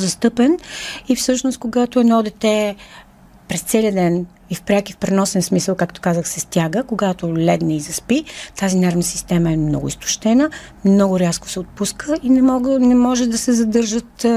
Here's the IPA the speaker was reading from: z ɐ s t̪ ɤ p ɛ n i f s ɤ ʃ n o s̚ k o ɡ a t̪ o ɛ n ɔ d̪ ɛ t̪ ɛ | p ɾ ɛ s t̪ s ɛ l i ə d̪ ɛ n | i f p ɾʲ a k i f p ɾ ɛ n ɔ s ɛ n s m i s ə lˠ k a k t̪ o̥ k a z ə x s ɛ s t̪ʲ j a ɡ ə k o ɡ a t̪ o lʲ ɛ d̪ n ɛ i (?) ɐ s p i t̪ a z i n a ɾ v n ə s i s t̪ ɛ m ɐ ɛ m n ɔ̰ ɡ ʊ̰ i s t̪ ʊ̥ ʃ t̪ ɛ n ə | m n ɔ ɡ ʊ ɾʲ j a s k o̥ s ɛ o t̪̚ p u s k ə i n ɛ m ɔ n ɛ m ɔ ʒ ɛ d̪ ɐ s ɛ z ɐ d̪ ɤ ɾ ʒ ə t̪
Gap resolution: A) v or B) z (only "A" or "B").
B